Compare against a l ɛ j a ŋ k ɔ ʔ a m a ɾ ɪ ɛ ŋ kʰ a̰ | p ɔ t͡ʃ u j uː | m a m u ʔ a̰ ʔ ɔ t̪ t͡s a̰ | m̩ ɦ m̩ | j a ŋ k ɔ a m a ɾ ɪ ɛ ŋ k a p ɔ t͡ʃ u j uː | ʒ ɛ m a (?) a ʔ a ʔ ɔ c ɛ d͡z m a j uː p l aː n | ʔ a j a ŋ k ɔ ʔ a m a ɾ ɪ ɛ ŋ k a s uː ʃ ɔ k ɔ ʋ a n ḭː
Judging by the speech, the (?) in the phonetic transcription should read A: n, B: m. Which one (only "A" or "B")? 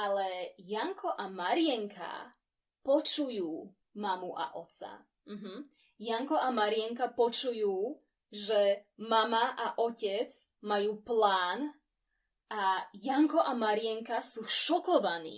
B